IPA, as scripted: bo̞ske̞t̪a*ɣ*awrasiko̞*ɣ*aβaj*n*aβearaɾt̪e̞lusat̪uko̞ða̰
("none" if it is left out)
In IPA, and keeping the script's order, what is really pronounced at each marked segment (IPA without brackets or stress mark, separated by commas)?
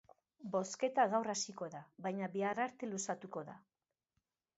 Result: ɣ, ð, ɲ